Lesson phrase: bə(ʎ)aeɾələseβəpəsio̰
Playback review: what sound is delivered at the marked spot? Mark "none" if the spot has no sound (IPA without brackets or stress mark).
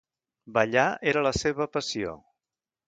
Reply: ʎ